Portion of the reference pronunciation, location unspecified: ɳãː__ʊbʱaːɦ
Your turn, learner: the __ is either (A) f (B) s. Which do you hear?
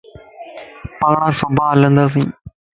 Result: B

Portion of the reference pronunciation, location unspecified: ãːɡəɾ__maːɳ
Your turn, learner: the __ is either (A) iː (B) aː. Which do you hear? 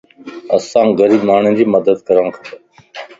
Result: A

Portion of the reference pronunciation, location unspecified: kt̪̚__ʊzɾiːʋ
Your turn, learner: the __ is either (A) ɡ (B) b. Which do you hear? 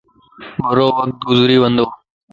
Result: A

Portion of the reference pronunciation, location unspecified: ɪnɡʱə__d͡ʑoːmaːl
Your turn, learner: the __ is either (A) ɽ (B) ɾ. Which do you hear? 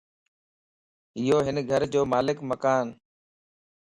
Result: B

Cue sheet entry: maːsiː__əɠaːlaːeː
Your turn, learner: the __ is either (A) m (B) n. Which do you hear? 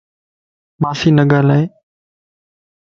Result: B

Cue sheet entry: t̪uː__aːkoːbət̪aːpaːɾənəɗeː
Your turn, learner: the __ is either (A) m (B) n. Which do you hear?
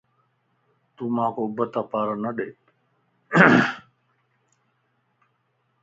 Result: A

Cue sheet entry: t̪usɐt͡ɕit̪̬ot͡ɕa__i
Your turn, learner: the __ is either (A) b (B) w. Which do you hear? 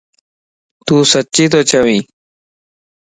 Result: B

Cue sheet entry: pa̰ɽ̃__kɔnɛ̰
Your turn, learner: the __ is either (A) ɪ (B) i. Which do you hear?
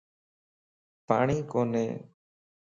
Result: B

